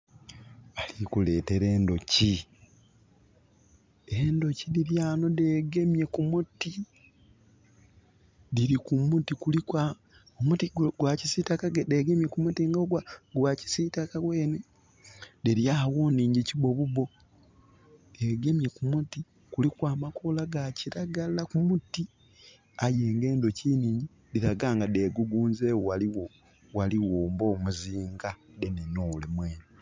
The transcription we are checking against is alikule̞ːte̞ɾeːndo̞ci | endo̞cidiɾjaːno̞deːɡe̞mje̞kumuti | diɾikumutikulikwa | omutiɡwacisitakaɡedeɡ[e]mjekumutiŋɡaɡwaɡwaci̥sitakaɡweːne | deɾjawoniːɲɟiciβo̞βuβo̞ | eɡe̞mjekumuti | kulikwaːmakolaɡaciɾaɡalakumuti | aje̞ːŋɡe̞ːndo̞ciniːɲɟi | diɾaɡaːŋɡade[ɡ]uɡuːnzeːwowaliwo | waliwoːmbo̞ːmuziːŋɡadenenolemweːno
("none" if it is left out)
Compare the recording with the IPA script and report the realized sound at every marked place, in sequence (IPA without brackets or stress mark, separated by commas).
e, ɡ